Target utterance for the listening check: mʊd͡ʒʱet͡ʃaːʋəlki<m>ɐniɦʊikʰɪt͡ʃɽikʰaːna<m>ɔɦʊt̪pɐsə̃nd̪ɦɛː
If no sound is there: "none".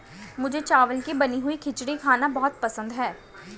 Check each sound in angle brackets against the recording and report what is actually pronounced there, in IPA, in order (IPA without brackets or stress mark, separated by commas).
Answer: b, b